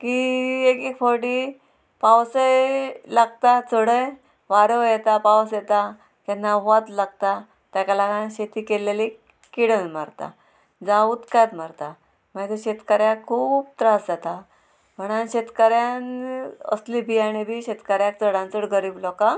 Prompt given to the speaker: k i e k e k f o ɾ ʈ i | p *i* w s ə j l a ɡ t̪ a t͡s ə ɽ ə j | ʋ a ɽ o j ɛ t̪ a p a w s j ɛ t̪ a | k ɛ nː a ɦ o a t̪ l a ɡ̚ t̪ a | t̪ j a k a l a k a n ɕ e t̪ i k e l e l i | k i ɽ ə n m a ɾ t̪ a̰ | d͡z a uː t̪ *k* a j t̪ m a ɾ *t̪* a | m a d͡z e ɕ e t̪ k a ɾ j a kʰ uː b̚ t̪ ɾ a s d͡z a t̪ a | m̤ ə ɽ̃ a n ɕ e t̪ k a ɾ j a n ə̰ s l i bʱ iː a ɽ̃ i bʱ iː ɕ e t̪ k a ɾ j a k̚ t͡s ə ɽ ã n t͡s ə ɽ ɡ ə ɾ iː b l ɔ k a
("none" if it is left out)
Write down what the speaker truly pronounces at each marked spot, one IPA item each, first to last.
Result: a, k, t̪

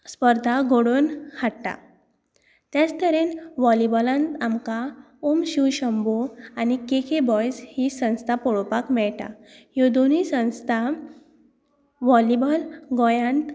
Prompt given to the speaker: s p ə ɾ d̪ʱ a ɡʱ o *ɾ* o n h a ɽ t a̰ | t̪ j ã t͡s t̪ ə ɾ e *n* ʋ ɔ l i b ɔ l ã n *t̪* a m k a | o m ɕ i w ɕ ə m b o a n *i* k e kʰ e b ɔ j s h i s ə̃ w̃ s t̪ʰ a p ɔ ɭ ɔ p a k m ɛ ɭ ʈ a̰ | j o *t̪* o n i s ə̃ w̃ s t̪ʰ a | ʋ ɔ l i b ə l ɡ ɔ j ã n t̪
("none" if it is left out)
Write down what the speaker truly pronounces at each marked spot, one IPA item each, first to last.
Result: ɽ, n, t̪, i, d̪

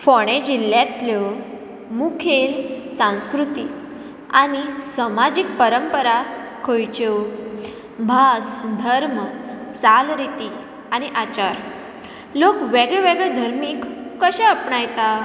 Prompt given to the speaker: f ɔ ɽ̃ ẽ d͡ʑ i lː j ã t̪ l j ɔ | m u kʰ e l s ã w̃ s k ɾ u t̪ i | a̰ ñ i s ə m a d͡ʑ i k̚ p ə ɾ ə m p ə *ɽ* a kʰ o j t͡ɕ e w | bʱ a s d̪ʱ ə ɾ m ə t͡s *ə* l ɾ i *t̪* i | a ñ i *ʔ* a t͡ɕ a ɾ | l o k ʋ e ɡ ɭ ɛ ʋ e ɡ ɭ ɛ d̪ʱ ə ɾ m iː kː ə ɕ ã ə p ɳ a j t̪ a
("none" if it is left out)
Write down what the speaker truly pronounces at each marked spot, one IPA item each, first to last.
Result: ɾ, a, t̪, ʔ

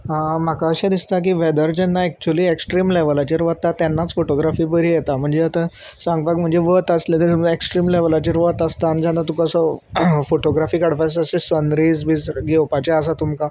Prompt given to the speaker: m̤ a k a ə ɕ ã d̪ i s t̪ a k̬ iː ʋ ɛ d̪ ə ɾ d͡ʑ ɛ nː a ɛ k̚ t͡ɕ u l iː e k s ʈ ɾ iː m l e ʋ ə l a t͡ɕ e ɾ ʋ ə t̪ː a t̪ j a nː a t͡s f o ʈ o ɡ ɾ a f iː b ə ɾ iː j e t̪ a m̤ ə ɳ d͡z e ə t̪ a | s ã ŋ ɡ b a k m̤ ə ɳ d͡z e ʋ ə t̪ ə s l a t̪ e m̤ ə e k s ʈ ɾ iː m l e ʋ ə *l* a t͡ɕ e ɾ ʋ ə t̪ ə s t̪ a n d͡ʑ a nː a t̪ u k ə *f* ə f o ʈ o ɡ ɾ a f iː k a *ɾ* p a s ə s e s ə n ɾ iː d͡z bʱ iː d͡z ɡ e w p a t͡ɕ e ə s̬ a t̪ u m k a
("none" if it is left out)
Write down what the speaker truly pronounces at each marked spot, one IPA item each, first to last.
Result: l, s, ɽ

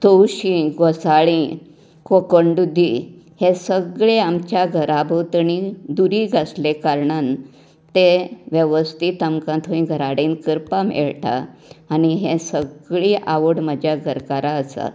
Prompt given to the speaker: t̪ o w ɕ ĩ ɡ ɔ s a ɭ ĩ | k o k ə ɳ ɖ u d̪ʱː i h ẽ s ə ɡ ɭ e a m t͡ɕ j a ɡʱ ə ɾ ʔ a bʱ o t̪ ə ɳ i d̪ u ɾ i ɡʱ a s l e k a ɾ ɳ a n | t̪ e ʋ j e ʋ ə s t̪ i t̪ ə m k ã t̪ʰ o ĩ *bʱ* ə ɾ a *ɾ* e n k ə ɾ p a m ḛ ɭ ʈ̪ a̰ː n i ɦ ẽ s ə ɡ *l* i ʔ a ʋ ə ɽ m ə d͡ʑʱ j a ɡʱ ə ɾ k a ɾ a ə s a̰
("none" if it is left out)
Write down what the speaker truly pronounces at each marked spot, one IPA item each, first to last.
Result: ɡʱ, ɽ, ɭ

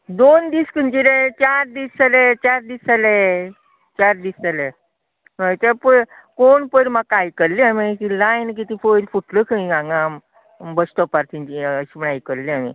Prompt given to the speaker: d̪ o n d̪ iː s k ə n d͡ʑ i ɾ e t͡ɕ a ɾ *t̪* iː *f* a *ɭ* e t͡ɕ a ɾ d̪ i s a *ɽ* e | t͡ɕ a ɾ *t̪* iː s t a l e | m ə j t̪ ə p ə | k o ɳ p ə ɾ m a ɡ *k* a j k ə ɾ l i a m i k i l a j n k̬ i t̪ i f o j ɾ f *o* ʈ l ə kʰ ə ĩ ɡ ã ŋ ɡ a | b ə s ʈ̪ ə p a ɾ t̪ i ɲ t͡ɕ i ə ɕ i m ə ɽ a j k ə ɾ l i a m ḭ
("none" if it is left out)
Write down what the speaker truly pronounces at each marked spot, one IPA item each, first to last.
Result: d̪, s, l, l, d̪, k, u

